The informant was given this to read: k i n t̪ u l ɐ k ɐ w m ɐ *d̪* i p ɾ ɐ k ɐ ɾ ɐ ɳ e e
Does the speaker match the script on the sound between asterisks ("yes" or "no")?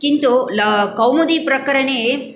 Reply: yes